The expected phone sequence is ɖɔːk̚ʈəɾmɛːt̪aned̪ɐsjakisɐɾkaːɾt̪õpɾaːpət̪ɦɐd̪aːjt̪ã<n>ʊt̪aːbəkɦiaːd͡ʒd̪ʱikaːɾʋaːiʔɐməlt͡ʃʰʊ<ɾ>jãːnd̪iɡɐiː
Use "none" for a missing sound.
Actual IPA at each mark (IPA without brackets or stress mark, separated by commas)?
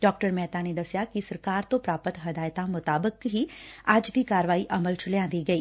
m, l